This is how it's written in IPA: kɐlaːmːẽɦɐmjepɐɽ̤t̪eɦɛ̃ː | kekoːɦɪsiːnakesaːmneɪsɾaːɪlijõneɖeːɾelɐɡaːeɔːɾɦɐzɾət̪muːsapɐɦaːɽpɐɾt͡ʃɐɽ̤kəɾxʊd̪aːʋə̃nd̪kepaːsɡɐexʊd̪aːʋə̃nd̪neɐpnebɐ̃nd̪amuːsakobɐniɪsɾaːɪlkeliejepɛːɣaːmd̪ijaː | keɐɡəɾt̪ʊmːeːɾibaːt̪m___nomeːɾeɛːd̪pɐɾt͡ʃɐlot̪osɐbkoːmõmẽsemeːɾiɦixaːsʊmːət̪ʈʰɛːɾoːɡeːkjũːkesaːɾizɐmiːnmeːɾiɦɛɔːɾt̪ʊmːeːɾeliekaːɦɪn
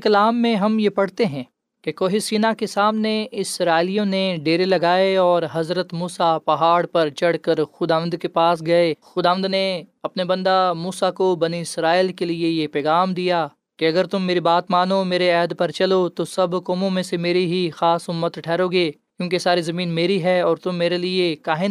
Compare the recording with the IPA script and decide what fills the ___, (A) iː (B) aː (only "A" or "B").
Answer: B